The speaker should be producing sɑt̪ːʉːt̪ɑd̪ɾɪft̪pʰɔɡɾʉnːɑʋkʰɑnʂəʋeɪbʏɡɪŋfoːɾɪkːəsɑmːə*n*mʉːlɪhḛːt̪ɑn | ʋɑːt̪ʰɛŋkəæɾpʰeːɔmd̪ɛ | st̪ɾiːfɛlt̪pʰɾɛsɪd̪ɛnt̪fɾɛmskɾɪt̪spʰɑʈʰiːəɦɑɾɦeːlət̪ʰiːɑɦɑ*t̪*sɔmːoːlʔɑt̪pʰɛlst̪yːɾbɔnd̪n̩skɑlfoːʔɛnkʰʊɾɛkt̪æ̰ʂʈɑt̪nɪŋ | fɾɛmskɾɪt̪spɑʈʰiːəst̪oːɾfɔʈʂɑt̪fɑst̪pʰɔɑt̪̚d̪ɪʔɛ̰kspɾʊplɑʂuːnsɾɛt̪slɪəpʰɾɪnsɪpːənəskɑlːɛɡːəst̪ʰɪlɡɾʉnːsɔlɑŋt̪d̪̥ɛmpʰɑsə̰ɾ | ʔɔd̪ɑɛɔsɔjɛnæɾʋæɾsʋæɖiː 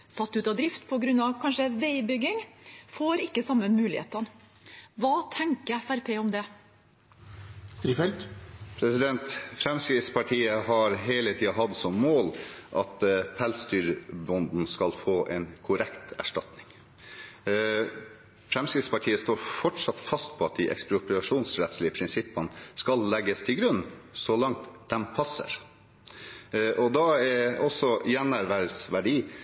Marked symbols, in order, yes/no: yes, no

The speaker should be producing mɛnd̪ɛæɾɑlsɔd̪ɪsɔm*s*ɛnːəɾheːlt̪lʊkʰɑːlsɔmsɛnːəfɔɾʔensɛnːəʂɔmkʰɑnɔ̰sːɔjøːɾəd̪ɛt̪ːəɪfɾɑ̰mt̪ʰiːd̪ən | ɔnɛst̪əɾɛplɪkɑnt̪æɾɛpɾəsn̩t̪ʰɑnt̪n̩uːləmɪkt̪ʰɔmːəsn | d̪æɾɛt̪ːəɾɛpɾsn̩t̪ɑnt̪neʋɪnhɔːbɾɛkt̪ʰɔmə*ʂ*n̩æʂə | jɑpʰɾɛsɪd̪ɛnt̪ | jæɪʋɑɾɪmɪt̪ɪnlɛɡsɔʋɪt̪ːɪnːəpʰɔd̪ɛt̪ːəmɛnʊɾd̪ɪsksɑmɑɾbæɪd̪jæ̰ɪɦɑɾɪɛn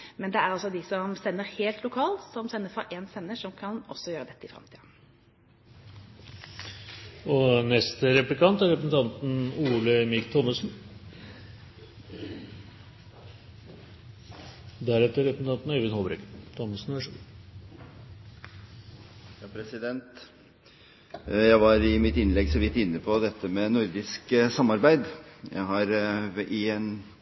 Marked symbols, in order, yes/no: yes, no

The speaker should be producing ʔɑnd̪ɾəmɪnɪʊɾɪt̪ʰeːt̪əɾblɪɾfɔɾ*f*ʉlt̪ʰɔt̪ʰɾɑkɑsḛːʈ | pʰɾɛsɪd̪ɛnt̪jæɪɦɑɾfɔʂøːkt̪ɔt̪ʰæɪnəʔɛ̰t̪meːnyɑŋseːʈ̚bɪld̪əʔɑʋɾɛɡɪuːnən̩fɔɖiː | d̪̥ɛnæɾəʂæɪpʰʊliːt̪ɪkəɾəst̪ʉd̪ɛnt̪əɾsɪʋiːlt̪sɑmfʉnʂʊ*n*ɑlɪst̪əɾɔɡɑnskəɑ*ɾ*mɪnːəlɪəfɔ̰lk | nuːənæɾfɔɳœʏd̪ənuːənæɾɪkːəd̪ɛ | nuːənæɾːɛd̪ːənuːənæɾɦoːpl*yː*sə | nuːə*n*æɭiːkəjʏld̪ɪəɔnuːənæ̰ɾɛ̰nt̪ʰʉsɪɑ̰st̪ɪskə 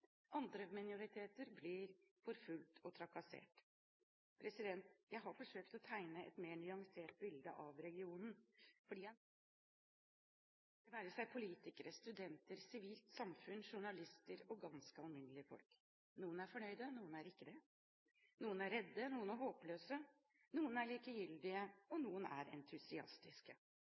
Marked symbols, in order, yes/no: yes, no, no, no, yes

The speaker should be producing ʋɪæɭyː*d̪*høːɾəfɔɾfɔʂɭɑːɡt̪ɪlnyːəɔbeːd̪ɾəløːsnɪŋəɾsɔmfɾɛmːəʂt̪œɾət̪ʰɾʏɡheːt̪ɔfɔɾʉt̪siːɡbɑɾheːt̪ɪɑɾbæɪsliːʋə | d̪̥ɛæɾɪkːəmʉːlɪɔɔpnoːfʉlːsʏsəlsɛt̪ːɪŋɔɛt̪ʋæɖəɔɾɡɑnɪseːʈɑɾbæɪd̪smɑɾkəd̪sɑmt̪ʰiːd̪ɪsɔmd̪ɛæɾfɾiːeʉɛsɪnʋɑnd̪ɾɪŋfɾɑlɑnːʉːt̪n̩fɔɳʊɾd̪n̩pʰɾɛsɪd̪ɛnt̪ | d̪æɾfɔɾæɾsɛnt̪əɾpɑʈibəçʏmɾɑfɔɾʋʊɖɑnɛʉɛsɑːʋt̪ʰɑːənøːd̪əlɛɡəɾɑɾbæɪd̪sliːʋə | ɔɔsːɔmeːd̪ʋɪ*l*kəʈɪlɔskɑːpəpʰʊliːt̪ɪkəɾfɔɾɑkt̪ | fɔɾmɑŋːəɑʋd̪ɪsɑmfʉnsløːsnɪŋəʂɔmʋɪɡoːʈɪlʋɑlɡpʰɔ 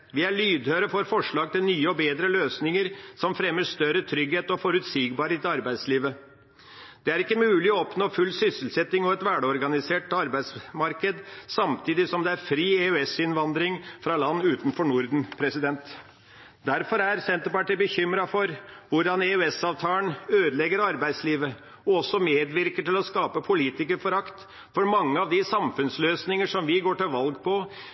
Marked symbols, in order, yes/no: yes, no

